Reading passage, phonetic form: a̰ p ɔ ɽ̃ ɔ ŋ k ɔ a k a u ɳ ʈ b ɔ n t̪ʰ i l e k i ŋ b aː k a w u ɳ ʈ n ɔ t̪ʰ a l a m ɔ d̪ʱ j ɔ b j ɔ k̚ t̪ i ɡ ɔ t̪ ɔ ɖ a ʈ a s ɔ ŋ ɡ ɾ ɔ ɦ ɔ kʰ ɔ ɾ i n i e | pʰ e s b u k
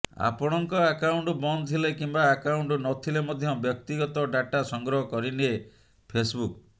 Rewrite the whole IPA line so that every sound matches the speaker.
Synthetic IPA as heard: a̰ p ɔ ɽ̃ ɔ ŋ k ɔ a k a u ɳ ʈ b ɔ n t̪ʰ i l e k i m b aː k a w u ɳ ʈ n ɔ t̪ʰ i l e m ɔ d̪ʱ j ɔ b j ɔ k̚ t̪ i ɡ ɔ t̪ ɔ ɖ a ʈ a s ɔ ŋ ɡ ɾ ɔ ɦ ɔ k ɔ ɾ i n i e | pʰ e s b u k